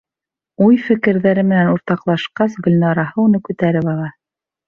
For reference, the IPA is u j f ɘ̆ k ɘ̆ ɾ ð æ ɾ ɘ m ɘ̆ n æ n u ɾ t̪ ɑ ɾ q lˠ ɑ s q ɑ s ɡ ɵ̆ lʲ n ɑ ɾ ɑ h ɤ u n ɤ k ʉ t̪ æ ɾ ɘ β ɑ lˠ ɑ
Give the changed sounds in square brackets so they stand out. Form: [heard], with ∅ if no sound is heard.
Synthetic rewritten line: u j f ɘ̆ k ɘ̆ ɾ ð æ ɾ ɘ m ɘ̆ n æ n u ɾ t̪ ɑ [∅] q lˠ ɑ [ʃ] q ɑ s ɡ ɵ̆ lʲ n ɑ ɾ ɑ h ɤ u n ɤ k ʉ t̪ æ ɾ ɘ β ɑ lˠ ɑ